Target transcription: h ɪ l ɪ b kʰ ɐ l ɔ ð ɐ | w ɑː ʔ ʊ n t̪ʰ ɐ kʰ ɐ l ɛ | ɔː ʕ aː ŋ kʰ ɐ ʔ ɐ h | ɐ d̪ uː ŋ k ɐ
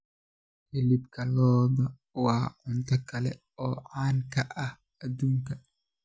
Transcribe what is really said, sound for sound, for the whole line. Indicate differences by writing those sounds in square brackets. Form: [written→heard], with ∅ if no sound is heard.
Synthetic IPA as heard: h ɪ l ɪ b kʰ ɐ l [ɔ→ɔː] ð ɐ | w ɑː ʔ ʊ n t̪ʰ ɐ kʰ ɐ l ɛ | ɔː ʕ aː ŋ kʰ ɐ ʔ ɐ h | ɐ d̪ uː ŋ k ɐ